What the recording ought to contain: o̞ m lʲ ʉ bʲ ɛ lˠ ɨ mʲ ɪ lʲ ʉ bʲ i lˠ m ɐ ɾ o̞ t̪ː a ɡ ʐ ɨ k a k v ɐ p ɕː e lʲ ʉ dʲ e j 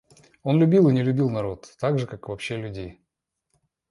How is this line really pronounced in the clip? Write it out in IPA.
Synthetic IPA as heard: o̞ n lʲ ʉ bʲ i lˠ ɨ nʲ ɪ lʲ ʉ bʲ i lˠ n ɐ ɾ o̞ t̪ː a ɡ ʐ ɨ k a k v ɐ p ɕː e lʲ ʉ dʲ e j